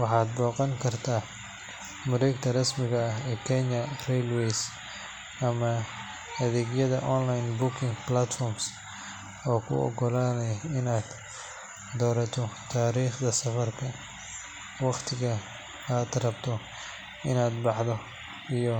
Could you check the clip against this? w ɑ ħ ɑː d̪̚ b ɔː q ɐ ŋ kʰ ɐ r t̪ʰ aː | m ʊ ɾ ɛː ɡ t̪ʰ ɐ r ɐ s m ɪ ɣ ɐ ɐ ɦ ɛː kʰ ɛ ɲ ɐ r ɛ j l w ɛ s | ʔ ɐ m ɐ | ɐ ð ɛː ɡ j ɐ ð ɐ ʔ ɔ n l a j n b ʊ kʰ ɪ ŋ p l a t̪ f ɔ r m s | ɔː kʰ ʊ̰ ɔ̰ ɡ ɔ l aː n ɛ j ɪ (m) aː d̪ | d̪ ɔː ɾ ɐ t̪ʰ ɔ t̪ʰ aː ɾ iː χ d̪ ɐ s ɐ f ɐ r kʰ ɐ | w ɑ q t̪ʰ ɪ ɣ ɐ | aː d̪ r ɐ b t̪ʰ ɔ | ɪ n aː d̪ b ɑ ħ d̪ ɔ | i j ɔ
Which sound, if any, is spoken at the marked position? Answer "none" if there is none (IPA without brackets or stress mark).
n